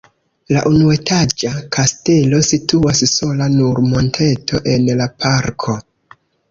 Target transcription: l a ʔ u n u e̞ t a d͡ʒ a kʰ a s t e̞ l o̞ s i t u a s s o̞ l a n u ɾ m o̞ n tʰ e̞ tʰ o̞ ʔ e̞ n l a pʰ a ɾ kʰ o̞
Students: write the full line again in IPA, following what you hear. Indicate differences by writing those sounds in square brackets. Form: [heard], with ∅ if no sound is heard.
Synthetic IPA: l a ʔ u n u e̞ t a d͡ʒ a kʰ a s t e̞ l o̞ s i t u a s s o̞ l a n u ɾ m o̞ n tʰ e̞ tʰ o̞ ʔ e̞ n l a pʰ a ɾ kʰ o̞